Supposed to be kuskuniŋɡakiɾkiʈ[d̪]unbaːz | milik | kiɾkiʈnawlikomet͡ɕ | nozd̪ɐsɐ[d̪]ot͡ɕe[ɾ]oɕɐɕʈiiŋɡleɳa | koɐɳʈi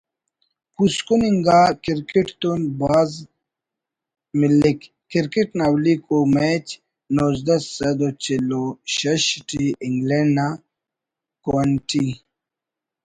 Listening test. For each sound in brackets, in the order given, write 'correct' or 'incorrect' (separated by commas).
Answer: incorrect, correct, incorrect